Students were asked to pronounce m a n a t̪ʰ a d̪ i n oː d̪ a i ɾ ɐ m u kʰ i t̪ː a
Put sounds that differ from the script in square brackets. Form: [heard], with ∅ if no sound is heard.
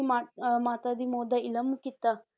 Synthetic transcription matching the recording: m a [m] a [t̪] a d̪ i [m] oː d̪ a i [l] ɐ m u [k] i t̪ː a